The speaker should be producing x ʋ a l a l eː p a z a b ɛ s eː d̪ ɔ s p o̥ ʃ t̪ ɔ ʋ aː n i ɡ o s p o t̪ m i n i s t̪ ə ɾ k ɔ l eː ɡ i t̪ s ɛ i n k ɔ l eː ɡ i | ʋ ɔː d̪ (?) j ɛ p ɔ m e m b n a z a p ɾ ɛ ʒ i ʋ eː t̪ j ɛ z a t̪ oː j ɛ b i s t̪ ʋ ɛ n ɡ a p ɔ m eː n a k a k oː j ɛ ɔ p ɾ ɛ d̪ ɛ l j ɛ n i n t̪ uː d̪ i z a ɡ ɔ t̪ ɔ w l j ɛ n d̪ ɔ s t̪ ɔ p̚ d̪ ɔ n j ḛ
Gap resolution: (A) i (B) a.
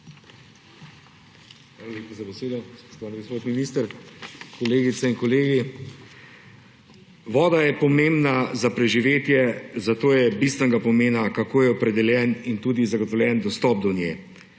B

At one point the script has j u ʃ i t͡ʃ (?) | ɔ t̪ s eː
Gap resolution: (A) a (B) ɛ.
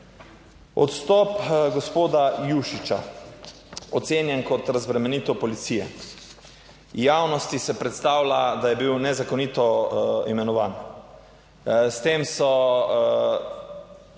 A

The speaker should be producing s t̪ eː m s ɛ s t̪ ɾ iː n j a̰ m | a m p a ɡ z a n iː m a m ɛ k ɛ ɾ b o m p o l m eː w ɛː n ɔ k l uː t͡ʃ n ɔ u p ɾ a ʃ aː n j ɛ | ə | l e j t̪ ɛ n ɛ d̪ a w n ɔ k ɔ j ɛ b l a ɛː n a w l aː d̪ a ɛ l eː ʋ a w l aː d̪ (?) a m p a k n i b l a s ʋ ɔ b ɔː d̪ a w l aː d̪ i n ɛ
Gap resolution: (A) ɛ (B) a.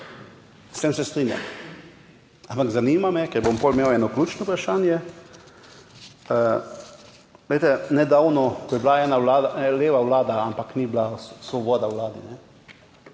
B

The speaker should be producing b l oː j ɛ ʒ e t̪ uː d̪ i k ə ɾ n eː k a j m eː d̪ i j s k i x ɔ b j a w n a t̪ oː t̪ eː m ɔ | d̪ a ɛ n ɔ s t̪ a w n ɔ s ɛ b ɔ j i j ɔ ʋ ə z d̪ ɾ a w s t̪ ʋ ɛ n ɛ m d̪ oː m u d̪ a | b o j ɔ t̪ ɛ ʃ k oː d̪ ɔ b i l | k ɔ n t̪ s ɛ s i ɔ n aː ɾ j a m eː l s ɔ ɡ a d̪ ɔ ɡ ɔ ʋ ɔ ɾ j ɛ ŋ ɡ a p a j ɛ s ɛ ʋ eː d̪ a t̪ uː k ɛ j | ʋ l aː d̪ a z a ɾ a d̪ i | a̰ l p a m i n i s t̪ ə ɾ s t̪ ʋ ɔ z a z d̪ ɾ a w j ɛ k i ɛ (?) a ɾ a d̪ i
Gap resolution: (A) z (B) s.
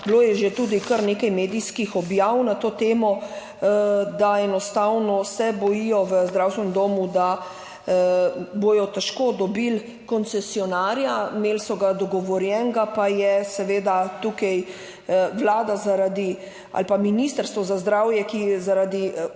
A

